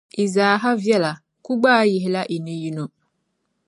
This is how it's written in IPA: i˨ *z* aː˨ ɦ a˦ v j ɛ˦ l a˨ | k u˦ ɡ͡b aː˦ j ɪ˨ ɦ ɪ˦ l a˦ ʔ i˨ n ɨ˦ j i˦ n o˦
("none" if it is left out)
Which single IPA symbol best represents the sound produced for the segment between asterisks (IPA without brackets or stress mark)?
z